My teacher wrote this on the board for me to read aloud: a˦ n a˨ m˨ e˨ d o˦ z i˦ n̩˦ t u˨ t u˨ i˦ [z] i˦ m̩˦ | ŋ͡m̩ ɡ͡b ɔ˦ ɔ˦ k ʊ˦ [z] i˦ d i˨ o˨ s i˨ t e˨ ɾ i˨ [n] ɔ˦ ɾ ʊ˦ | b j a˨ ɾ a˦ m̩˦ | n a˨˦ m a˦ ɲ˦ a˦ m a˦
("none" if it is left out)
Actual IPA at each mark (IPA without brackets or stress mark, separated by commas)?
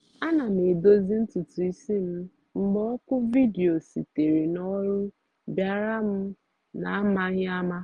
s, v, n